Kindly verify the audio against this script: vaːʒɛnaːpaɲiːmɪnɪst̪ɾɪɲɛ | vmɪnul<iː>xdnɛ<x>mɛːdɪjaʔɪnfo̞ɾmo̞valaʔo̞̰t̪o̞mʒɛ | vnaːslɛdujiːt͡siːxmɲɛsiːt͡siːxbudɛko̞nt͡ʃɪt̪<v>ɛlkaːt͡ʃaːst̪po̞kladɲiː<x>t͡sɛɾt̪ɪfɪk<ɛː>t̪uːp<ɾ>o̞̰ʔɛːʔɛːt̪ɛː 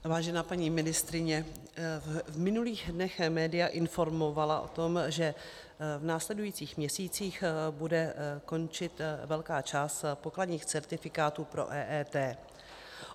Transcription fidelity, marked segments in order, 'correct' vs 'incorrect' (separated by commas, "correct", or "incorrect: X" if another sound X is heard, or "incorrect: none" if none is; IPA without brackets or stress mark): correct, correct, correct, correct, incorrect: aː, correct